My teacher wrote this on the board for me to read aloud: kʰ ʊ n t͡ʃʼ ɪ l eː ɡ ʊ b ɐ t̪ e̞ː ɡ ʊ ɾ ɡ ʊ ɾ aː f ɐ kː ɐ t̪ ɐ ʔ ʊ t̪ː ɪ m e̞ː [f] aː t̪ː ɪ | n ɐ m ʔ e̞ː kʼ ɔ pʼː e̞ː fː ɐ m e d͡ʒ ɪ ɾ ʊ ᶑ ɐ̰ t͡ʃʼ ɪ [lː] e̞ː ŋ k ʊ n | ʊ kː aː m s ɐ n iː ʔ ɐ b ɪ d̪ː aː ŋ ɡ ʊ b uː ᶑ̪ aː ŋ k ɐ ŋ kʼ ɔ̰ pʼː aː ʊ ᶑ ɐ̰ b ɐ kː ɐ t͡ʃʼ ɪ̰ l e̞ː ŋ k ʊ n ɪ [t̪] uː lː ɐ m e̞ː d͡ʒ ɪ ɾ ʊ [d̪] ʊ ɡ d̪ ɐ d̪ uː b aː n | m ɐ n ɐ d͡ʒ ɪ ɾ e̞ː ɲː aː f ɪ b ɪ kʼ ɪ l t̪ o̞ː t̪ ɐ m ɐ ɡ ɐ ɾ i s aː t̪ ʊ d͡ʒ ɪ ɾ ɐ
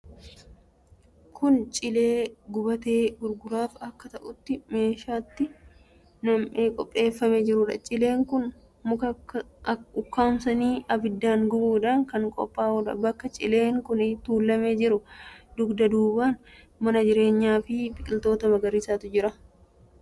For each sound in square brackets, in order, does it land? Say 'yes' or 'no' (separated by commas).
no, no, yes, yes